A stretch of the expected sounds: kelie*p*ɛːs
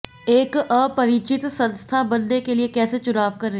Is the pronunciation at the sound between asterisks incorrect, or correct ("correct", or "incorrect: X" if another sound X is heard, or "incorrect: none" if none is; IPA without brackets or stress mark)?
incorrect: k